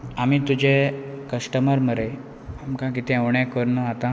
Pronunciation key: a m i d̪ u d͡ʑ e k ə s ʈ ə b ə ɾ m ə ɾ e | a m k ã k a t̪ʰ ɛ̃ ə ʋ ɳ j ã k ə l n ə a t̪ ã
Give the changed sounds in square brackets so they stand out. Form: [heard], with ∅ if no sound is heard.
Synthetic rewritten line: a m i [t̪] u d͡ʑ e k ə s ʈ ə [m] ə ɾ m ə ɾ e | a m k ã k [i] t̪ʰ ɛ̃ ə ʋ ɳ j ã k ə [ɾ] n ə a t̪ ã